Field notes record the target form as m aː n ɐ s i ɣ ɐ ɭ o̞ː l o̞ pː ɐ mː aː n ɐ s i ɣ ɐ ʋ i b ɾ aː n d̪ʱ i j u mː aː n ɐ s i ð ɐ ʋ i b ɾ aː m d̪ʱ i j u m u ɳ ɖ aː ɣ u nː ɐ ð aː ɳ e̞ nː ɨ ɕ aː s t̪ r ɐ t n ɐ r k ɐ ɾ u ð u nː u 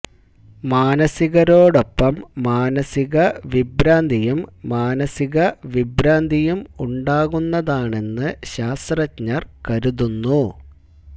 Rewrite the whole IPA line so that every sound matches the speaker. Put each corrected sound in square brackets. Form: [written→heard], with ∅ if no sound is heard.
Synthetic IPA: m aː n ɐ s i ɣ ɐ [ɭ→ɾ] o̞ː [l→ɽ] o̞ pː ɐ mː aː n ɐ s i ɣ ɐ ʋ i b ɾ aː n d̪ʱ i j u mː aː n ɐ s i [ð→ɣ] ɐ ʋ i b ɾ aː [m→n] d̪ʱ i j u m u ɳ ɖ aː ɣ u nː ɐ ð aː ɳ e̞ nː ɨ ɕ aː s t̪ r ɐ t [n→ɲ] ɐ r k ɐ ɾ u ð u nː u